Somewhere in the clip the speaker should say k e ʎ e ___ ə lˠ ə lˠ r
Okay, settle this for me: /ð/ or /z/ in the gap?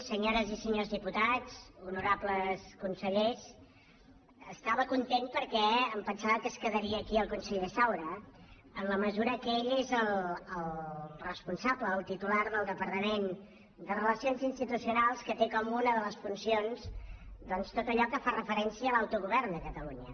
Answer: z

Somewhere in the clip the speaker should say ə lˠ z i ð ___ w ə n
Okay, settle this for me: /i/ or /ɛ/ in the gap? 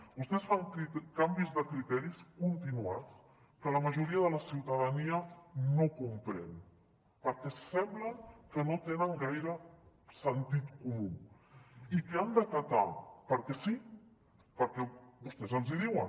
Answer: i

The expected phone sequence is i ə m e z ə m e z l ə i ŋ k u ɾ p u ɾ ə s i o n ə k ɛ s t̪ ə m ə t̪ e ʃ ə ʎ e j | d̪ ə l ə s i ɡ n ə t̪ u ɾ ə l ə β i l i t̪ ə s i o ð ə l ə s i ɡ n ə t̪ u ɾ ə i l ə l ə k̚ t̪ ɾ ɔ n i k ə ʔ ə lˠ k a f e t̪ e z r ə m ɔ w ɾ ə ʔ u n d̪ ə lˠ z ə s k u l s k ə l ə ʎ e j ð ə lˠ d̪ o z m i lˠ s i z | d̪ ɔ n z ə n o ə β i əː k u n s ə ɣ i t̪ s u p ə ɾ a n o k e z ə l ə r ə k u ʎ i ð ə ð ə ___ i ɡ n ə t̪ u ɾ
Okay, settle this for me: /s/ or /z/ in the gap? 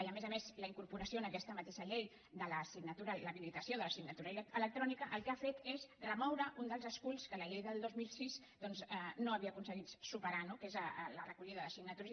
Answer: s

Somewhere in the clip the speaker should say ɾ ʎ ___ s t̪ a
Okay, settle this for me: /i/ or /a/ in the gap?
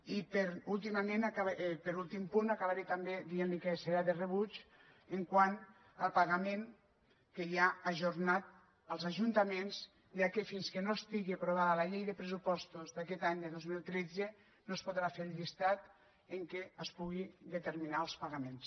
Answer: i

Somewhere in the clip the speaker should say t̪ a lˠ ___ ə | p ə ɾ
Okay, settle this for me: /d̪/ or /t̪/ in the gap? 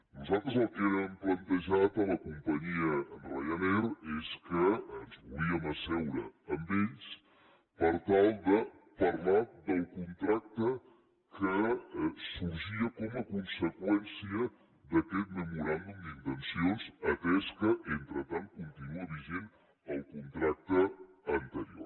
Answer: d̪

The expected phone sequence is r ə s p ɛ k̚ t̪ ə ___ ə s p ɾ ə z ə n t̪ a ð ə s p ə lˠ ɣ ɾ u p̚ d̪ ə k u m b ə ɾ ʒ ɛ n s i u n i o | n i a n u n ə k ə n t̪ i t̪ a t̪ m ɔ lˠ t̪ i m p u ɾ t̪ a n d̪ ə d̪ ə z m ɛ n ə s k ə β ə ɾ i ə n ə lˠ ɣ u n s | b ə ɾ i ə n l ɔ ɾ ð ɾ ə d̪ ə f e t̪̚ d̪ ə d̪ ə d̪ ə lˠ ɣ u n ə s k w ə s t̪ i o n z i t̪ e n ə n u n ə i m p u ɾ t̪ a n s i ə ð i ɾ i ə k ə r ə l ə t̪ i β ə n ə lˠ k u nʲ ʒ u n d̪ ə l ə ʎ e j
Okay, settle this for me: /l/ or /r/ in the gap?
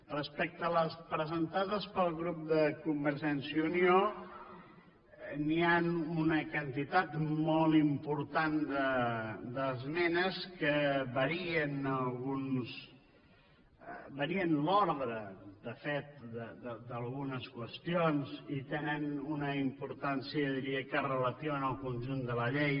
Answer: l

